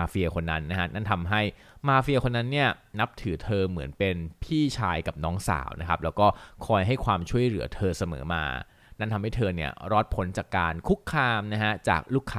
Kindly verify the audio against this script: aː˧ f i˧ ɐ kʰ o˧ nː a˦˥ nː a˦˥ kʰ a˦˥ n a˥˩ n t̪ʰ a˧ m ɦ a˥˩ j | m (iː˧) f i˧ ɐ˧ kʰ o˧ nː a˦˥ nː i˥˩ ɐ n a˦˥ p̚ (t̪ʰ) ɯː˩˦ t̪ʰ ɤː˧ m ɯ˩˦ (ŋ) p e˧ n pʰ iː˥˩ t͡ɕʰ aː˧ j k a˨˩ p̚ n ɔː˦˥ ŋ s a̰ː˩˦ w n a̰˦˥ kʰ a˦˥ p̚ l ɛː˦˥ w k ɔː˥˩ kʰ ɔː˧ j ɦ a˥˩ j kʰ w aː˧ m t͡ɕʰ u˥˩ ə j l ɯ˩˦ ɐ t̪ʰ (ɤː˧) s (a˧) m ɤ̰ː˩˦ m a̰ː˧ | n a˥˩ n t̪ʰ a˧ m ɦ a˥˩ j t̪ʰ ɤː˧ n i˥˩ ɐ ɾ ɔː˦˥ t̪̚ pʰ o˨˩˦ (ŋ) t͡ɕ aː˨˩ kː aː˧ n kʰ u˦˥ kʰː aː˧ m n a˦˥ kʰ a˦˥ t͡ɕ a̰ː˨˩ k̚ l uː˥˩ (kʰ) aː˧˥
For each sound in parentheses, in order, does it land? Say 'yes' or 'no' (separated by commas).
no, yes, no, yes, yes, no, yes